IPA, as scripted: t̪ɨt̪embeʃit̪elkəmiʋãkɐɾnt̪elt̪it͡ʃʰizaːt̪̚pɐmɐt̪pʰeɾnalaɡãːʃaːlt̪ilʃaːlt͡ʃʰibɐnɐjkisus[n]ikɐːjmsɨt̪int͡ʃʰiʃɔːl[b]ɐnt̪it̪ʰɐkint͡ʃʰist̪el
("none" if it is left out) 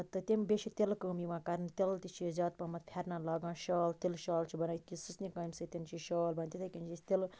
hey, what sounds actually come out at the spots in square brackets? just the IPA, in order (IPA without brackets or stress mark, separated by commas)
n, b